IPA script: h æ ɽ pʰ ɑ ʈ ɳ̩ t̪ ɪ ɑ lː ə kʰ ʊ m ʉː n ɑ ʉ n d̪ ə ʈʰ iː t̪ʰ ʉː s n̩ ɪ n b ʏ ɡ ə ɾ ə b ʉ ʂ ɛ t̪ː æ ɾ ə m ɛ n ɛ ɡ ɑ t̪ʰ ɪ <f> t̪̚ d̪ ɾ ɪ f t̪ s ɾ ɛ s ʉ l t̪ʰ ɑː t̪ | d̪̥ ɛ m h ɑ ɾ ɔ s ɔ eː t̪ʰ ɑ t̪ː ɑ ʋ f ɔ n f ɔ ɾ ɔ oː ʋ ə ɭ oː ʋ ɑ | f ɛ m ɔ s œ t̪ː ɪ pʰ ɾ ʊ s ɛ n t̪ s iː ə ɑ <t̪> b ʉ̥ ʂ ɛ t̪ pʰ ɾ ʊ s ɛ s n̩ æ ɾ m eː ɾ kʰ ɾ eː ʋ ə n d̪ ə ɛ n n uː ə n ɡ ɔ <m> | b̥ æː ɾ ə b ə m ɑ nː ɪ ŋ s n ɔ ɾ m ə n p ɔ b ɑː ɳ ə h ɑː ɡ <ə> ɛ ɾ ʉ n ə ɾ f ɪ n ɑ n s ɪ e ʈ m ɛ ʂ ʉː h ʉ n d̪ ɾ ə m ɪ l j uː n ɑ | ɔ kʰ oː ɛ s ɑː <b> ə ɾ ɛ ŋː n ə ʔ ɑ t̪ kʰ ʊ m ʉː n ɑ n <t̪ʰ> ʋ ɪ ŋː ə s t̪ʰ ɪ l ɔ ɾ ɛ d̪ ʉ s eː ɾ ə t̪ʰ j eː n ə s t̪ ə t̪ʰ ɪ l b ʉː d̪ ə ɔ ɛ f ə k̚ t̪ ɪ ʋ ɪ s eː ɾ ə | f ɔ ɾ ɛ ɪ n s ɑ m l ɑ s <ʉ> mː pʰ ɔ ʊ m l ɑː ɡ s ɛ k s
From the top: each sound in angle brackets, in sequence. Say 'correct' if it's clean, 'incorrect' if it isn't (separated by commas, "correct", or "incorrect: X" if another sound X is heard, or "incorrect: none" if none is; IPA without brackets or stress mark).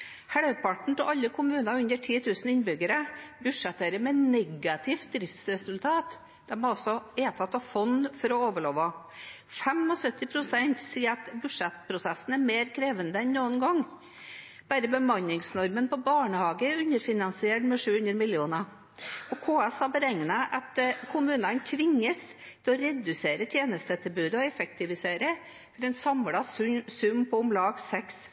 correct, correct, incorrect: ŋ, correct, correct, correct, correct